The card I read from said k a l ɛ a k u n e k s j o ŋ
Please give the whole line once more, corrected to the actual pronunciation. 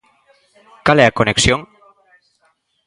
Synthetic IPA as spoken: k a l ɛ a k o n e k s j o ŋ